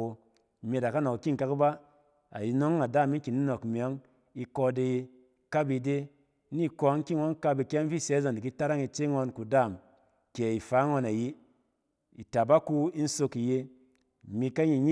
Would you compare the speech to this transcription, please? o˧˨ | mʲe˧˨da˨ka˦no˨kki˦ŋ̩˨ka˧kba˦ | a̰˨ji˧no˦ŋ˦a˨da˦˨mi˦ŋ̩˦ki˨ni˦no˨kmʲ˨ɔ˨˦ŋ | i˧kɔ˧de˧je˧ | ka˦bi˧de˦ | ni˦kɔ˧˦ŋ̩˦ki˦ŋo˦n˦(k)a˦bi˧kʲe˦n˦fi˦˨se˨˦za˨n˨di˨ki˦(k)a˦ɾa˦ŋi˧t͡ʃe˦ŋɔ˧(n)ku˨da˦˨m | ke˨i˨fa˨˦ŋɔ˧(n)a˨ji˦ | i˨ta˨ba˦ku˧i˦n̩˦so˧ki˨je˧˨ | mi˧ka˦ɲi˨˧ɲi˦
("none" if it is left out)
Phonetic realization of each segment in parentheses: k, t, n, n

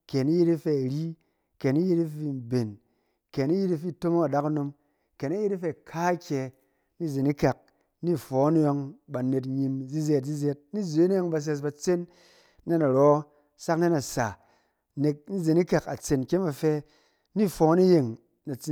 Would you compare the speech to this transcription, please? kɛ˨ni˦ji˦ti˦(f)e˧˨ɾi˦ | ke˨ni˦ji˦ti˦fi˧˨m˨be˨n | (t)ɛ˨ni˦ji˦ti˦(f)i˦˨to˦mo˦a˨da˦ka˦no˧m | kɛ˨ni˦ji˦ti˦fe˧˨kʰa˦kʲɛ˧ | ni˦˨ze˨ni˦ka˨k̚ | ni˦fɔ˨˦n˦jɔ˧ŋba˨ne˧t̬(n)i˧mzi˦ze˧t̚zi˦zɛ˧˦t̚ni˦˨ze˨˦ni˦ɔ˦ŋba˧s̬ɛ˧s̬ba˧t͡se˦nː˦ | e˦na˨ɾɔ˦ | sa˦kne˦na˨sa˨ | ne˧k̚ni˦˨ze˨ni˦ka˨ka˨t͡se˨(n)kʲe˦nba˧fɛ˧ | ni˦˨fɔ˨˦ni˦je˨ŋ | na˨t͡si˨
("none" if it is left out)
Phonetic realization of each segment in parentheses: f, k, f, ɲ, n

